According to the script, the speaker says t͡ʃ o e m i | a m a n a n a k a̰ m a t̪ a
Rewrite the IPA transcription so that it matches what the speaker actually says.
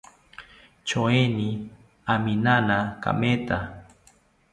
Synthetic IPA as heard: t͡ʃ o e n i | a m i n a n a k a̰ m e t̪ a